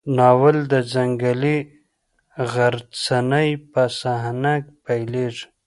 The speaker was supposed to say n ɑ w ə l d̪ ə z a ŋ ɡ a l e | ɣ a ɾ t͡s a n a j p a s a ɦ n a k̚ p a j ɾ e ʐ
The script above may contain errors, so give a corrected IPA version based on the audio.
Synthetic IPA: n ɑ w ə l d̪ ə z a ŋ ɡ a l i | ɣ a ɾ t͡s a n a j p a s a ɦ n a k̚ p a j l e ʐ